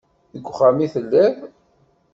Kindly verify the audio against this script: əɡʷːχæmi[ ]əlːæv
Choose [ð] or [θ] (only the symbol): θ